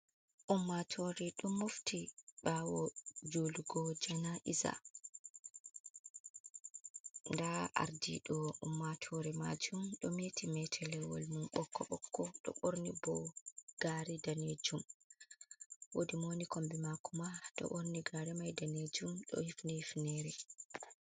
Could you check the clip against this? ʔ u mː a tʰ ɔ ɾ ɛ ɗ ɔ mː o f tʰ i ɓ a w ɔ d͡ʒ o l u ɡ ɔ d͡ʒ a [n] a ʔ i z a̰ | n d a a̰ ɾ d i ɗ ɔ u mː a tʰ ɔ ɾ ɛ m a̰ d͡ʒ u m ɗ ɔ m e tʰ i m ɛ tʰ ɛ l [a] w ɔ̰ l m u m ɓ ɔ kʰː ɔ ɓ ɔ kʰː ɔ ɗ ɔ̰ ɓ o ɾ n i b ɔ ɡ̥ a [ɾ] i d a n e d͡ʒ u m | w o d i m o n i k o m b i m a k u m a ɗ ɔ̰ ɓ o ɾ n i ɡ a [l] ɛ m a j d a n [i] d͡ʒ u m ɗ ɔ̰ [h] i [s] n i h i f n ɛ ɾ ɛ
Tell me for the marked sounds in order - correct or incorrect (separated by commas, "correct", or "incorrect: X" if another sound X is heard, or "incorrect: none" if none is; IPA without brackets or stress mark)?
correct, incorrect: ɛ, correct, incorrect: ɾ, incorrect: e, correct, incorrect: f